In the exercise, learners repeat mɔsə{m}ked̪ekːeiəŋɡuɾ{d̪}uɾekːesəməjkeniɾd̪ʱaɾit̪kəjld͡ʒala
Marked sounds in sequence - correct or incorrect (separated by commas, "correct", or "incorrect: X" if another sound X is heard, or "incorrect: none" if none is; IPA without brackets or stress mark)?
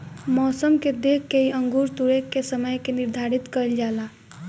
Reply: correct, incorrect: t̪